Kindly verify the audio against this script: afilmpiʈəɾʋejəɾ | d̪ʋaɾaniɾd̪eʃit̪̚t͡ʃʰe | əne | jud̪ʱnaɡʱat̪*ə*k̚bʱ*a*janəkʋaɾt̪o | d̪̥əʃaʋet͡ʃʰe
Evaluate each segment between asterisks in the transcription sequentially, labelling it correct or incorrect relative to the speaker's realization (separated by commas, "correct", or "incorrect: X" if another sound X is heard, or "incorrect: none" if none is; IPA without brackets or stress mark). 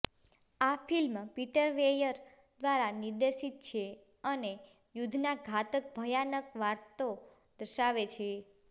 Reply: correct, incorrect: ə